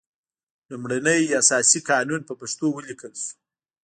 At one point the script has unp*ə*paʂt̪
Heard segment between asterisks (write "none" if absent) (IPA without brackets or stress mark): ə